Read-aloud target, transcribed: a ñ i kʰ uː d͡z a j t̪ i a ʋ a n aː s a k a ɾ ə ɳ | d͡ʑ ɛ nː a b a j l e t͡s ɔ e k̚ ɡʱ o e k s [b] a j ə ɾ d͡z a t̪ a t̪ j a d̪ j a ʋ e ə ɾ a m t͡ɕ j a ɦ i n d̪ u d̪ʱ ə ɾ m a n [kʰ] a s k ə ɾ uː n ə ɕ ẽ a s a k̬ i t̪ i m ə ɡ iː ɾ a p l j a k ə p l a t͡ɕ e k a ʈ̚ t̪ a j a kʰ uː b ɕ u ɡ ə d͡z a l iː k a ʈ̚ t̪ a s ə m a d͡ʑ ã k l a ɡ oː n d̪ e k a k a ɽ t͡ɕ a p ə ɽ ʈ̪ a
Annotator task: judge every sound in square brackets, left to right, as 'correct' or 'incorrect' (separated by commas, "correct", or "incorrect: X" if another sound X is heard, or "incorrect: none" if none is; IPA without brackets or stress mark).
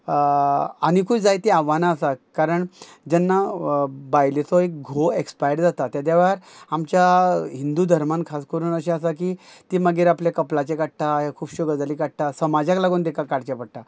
incorrect: p, correct